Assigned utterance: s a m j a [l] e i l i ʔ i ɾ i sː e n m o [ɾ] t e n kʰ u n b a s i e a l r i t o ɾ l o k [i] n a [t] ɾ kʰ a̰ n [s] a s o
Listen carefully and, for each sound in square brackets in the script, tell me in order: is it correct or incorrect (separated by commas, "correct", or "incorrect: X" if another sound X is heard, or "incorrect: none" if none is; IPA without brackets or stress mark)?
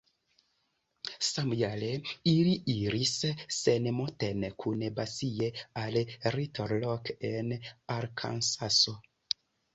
correct, incorrect: none, incorrect: e, incorrect: none, correct